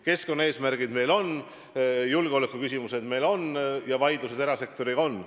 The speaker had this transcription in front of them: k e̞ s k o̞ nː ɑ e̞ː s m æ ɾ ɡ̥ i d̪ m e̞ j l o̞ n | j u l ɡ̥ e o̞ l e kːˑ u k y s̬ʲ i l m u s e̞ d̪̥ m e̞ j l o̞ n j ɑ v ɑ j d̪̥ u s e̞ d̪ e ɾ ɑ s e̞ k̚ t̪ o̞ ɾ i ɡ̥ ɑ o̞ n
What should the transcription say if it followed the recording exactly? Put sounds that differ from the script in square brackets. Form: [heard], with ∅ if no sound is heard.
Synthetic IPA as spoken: k e̞ s k o̞ nː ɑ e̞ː s m æ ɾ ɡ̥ i d̪ m e̞ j l o̞ n | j u l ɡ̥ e o̞ l e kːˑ u k y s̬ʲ i [∅] m u s e̞ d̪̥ m e̞ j l o̞ n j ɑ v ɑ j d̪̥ u s e̞ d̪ e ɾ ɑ s e̞ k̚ t̪ o̞ ɾ i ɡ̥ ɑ o̞ n